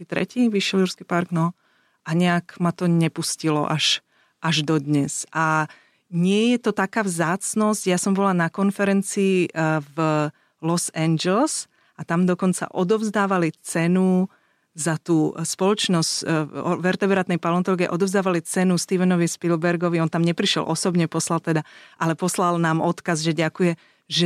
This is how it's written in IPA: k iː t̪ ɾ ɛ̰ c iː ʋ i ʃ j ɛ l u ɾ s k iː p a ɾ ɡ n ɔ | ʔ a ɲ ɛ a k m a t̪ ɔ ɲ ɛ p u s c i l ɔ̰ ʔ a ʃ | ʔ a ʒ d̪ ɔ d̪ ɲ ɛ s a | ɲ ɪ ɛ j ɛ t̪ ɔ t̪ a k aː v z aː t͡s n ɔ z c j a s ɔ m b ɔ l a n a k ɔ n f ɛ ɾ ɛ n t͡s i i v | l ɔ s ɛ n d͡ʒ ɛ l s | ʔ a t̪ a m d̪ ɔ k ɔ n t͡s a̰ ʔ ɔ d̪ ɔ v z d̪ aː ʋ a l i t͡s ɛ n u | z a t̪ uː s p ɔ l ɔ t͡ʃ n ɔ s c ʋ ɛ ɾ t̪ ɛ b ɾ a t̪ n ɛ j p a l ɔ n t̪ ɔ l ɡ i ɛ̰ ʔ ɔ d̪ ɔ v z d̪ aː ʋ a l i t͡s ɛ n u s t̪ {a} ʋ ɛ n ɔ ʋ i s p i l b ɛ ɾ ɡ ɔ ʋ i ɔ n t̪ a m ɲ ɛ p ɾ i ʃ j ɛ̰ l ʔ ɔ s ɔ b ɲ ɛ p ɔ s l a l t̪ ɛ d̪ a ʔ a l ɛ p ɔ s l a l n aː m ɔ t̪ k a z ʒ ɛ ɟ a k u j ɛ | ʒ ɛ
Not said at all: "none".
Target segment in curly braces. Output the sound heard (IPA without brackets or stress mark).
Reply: i